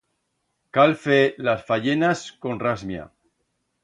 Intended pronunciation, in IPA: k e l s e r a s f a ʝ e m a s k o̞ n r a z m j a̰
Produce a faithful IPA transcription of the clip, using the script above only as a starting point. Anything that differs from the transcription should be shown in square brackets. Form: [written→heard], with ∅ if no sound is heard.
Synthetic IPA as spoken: k [e→a] l [s→f] e [r→l] a s f a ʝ e [m→n] a s k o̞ n r a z m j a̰